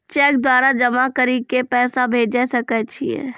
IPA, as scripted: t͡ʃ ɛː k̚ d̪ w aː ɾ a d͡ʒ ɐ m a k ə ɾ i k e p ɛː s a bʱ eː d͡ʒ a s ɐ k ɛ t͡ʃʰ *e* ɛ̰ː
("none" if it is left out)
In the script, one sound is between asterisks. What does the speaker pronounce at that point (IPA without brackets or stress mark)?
i